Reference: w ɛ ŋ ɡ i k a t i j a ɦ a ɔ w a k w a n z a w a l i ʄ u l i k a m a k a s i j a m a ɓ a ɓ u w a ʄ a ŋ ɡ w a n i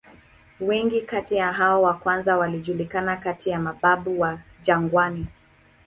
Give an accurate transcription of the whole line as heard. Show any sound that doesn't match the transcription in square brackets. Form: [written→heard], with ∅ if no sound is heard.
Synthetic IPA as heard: w ɛ ŋ ɡ i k a t i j a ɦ a ɔ w a k w a n z a w a l i ʄ u l i k a [m→n] a k a [s→t] i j a m a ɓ a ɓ u w a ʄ a ŋ ɡ w a n i